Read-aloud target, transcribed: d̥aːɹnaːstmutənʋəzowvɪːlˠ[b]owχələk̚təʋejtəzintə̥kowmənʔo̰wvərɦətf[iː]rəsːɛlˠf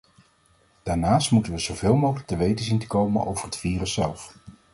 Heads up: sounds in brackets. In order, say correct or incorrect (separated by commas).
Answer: incorrect, correct